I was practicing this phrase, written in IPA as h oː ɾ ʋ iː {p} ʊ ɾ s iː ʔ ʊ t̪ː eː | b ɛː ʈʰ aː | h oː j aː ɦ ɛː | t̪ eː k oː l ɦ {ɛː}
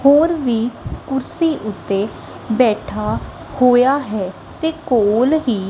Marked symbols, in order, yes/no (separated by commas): no, no